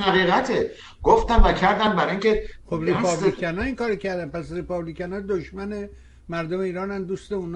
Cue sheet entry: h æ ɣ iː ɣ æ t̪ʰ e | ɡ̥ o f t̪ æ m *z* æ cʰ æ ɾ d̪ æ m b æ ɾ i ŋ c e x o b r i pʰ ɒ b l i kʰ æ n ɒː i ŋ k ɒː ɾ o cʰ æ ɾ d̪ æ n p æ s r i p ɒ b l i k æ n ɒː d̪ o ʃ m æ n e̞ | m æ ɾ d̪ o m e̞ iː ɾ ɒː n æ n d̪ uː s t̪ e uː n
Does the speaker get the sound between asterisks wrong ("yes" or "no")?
yes